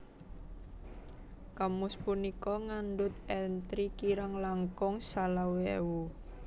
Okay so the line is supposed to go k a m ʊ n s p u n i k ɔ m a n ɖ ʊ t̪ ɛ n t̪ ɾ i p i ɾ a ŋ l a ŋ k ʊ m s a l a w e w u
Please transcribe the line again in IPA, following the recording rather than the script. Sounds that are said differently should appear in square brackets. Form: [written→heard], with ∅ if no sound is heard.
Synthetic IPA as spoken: k a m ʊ [n→∅] s p u n i k ɔ [m→ŋ] a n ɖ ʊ t̪ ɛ n t̪ ɾ i [p→k] i ɾ a ŋ l a ŋ k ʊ [m→ŋ] s a l a w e w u